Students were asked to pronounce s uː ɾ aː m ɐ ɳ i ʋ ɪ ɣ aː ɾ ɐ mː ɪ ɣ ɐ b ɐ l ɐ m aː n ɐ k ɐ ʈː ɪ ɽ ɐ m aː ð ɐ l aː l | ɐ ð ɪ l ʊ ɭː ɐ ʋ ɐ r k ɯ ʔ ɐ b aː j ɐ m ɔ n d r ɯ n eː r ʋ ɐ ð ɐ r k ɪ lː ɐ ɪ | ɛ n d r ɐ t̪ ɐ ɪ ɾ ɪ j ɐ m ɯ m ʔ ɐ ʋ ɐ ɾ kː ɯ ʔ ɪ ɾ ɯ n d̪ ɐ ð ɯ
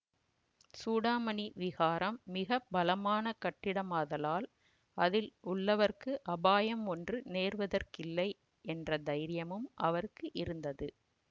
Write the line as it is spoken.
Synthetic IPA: s uː ɽ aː m ɐ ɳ i ʋ ɪ ɣ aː ɾ ɐ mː ɪ ɣ ɐ b ɐ l ɐ m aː n ɐ k ɐ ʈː ɪ ɽ ɐ m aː ð ɐ l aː l | ɐ ð ɪ l ʊ ɭː ɐ ʋ ɐ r k ɯ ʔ ɐ b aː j ɐ m ɔ n d r ɯ n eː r ʋ ɐ ð ɐ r k ɪ lː ɐ ɪ | ɛ n d r ɐ d̪ ɐ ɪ ɾ ɪ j ɐ m ɯ m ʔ ɐ ʋ ɐ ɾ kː ɯ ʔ ɪ ɾ ɯ n d̪ ɐ ð ɯ